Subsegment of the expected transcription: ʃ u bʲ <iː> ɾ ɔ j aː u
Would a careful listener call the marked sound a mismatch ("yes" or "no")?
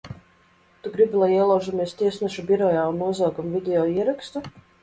yes